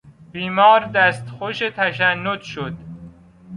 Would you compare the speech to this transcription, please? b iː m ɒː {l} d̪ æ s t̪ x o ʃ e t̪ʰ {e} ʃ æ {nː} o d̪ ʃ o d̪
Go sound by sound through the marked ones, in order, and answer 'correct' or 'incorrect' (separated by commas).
incorrect, incorrect, correct